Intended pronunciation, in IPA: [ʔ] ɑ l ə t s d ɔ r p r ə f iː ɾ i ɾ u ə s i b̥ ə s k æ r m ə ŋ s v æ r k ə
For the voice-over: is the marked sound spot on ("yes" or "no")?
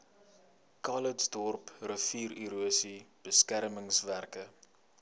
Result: no